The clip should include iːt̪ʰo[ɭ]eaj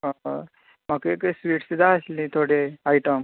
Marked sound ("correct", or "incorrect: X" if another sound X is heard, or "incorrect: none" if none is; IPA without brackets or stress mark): incorrect: ɽ